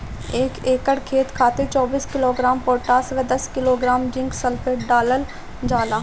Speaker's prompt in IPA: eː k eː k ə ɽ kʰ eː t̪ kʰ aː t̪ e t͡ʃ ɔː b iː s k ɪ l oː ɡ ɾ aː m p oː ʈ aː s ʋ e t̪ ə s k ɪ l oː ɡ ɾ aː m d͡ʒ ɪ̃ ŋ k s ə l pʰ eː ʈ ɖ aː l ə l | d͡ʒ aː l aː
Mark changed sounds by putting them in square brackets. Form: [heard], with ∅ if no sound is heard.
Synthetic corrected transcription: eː k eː k ə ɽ kʰ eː t̪ kʰ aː t̪ e t͡ʃ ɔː b iː s k ɪ l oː ɡ ɾ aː m p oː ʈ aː s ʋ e [d̪] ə s k ɪ l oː ɡ ɾ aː m d͡ʒ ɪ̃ ŋ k s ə l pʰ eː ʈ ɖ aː l ə l | d͡ʒ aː l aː